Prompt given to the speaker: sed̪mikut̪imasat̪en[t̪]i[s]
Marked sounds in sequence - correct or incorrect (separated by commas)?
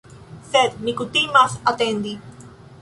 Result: incorrect, incorrect